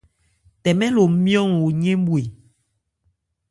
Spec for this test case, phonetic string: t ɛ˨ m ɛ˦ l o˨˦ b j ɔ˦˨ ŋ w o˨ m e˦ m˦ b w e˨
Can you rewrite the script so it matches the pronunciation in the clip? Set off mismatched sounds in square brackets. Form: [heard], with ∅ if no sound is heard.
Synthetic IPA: t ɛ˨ m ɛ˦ l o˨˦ [m] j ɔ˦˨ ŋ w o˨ [ɲ] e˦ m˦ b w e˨